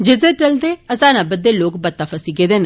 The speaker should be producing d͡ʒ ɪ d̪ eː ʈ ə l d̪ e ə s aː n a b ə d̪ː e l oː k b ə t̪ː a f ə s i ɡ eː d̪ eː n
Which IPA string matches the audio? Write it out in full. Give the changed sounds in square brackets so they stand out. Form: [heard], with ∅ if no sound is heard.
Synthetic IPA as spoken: d͡ʒ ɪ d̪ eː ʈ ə l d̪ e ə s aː n a b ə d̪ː e l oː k b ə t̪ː a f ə s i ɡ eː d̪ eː n